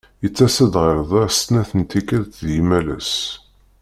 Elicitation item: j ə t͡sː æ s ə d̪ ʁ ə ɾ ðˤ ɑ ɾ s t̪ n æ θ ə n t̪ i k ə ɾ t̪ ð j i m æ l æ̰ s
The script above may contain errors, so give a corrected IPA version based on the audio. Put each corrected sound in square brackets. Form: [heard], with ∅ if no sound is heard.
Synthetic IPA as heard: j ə t͡sː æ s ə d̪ ʁ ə ɾ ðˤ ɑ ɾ s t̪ n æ θ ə n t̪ i k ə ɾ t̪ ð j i m æ l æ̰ s